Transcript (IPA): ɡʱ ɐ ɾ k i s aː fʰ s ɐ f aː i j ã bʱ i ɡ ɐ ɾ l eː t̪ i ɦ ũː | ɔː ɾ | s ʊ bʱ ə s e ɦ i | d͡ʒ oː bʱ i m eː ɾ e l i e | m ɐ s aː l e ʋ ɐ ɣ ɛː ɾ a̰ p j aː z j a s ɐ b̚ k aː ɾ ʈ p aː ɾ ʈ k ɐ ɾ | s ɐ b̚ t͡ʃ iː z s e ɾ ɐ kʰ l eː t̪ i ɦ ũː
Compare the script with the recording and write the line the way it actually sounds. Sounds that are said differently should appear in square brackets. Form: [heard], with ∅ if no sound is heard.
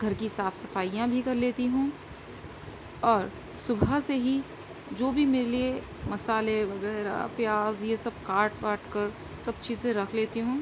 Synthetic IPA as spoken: ɡʱ ɐ ɾ k i s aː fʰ s ɐ f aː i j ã bʱ i [k] ɐ ɾ l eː t̪ i ɦ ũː | ɔː ɾ | s ʊ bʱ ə s e ɦ i | d͡ʒ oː bʱ i m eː ɾ e l i e | m ɐ s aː l e ʋ ɐ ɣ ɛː ɾ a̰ p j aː z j [e] s ɐ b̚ k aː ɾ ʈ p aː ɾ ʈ k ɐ ɾ | s ɐ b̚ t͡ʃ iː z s e ɾ ɐ kʰ l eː t̪ i ɦ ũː